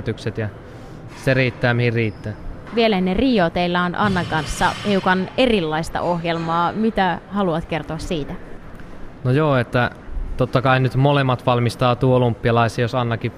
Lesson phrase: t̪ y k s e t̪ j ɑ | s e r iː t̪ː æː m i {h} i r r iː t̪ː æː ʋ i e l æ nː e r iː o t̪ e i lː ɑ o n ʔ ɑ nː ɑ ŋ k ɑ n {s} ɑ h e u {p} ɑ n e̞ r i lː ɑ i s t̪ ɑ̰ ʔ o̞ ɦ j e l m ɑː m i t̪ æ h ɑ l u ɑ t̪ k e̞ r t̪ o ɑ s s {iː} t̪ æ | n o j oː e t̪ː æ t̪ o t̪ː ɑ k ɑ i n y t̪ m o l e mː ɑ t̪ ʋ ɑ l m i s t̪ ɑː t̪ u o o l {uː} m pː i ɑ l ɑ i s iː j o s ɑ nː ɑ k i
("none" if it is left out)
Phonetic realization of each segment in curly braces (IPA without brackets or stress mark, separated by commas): h, sː, k, iː, u